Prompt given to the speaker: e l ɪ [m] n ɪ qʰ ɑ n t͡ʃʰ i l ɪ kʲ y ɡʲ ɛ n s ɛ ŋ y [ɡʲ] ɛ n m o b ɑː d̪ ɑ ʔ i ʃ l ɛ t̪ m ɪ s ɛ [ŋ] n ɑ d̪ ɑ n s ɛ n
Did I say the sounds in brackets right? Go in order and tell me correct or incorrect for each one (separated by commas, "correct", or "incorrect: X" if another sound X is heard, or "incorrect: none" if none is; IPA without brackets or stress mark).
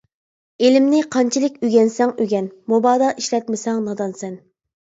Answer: correct, correct, correct